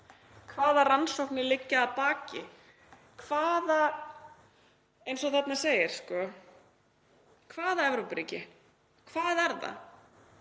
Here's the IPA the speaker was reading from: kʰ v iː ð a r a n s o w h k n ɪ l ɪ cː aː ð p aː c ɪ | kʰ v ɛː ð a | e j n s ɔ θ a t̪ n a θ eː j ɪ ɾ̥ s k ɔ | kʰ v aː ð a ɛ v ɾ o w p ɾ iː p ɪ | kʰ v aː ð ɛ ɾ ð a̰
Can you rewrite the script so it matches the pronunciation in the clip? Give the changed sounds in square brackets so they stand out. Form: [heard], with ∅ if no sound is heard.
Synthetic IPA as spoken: kʰ v [aː] ð a r a n s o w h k n ɪ l ɪ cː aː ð p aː c ɪ | kʰ v [aː] ð a | e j n s ɔ θ [ɛ] t̪ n a [s] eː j ɪ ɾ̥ s k ɔ | kʰ v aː ð a ɛ v ɾ o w p ɾ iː [c] ɪ | kʰ v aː ð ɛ ɾ ð a̰

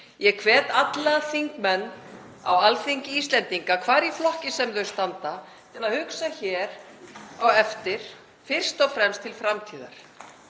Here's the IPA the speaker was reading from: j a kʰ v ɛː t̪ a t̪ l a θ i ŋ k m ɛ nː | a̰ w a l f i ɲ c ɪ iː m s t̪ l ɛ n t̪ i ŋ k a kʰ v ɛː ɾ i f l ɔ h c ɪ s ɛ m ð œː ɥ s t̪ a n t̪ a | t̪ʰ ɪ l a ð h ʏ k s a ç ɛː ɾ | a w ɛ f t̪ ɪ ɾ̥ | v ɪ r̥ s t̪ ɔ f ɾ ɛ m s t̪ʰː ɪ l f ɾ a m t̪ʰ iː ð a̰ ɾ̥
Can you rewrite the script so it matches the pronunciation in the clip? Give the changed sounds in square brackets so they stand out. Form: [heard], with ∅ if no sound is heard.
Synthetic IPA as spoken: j [ɛ] kʰ v ɛː t̪ a t̪ l a θ i ŋ k m ɛ nː | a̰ w a l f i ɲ c ɪ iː [∅] s t̪ l ɛ n t̪ i ŋ k a kʰ v [aː] ɾ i f l ɔ h c ɪ s ɛ m ð [œ] ɥ s t̪ a n t̪ a | t̪ʰ ɪ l a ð h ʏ k s a ç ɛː ɾ | a w ɛ f t̪ ɪ ɾ̥ | [f] ɪ r̥ s t̪ ɔ f ɾ ɛ m s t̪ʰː ɪ l f ɾ a m t̪ʰ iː ð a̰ ɾ̥

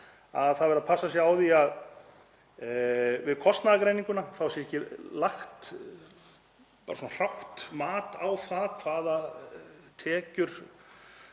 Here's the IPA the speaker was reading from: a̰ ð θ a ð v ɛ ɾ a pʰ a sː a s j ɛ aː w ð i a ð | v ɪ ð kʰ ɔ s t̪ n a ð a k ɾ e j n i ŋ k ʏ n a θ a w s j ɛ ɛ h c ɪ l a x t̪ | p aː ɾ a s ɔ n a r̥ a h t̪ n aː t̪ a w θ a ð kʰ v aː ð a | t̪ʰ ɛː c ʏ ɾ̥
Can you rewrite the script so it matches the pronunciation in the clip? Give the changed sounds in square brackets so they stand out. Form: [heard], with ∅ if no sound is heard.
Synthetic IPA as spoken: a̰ ð θ a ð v ɛ ɾ a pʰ a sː a s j ɛ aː w ð i a ð | v ɪ ð kʰ ɔ s t̪ n a ð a k ɾ e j n i ŋ k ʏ n a θ a w s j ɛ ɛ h c ɪ l a x t̪ | p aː ɾ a s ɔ n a r̥ a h t̪ [m] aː t̪ a w θ a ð kʰ v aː ð a | t̪ʰ ɛː c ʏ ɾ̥

